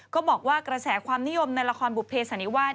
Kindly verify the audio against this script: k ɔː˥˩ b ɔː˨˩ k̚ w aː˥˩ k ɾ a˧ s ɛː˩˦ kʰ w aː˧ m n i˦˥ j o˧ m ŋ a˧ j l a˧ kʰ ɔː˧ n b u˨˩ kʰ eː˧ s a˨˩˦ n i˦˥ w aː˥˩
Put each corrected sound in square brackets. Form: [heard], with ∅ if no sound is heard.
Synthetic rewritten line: k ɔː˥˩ b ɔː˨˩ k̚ w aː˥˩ k ɾ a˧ s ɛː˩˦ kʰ w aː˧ m n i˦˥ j o˧ m [n] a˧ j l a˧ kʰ ɔː˧ n b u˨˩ [pʰ] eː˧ s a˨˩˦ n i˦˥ w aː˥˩

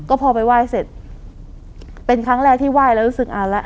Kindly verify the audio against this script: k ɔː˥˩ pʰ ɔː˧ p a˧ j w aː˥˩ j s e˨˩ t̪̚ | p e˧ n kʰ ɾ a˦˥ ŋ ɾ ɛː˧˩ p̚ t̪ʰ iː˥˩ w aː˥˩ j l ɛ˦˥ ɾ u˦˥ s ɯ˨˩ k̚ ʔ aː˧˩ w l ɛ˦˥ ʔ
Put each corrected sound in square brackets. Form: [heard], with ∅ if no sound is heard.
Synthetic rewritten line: k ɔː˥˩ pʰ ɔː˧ p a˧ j w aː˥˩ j s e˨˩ t̪̚ | p e˧ n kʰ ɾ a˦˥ ŋ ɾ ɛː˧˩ [k̚] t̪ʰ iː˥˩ w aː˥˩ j l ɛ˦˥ ɾ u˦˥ s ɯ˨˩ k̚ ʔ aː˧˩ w l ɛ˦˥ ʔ

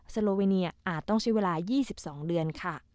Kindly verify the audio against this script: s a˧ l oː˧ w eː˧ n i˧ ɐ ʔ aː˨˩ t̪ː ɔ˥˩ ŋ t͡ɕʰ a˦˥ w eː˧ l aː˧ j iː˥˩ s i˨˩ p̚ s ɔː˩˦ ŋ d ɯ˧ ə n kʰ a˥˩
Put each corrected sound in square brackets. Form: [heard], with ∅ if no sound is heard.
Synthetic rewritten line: s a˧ l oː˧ w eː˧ n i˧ ɐ ʔ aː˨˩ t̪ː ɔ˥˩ ŋ t͡ɕʰ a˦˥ w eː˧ l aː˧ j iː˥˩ s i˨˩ p̚ s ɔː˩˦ ŋ d ɯ˧ ə n kʰ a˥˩

